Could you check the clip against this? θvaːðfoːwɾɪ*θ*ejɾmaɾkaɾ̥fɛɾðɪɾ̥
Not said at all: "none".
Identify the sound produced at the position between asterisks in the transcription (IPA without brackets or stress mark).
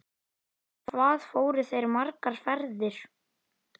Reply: θ